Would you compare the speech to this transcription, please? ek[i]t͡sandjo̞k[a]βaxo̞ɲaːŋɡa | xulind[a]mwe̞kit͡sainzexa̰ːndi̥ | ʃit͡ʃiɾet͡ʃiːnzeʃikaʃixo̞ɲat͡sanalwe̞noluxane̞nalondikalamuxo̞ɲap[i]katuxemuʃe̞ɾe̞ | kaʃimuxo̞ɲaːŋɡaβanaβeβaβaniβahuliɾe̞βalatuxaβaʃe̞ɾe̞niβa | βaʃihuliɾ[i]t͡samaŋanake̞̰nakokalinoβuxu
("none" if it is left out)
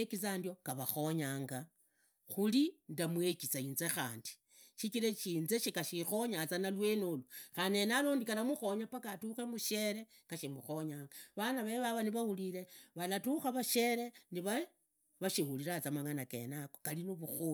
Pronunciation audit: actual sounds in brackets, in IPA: i, a, a, a, a

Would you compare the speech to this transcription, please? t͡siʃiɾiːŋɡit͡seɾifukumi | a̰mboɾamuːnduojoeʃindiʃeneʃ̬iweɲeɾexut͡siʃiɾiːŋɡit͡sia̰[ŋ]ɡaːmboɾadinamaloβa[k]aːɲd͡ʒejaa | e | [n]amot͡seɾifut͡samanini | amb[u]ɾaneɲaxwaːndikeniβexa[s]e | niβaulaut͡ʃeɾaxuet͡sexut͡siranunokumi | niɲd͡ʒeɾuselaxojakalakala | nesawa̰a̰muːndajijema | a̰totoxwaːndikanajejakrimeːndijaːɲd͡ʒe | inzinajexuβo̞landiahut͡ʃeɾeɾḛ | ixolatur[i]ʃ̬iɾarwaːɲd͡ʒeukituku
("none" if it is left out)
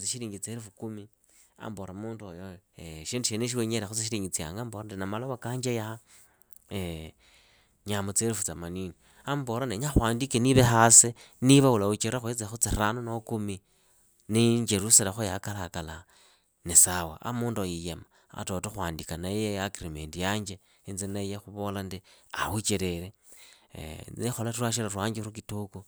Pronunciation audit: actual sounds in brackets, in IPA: ŋ, k, ɲ, o, s, a

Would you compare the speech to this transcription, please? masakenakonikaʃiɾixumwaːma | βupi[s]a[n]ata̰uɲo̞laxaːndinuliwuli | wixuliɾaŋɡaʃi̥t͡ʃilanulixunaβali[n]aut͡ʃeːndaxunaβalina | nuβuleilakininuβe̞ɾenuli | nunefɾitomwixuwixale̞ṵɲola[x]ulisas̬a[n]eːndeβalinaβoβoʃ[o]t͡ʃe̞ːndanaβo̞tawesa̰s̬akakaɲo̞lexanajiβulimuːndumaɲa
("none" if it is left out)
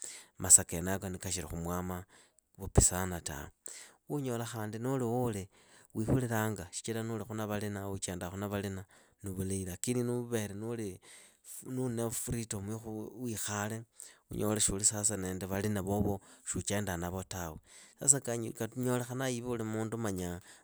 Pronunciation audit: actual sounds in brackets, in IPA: s, n, n, ʃ, n, u

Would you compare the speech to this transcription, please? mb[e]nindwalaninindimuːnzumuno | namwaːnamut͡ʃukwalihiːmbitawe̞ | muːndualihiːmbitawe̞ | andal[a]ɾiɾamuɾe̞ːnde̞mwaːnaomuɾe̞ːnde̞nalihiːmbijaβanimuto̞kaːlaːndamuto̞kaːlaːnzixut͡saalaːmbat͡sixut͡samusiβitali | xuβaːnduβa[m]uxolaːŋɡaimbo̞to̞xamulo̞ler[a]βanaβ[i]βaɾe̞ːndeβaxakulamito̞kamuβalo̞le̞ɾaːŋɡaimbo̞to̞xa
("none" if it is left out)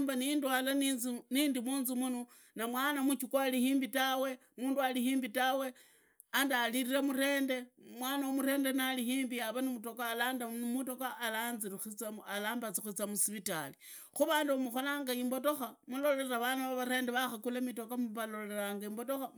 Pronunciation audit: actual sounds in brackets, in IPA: a, i, m, a, a

